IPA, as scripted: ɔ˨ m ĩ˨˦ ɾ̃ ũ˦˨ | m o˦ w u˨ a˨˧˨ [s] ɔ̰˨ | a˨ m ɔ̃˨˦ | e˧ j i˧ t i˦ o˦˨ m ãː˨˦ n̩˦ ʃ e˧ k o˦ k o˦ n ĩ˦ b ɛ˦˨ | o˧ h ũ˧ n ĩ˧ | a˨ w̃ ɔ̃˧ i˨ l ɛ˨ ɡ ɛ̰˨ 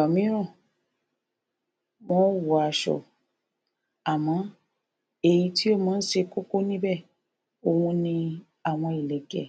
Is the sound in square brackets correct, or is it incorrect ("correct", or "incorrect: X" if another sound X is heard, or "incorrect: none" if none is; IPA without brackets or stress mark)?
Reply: incorrect: ʃ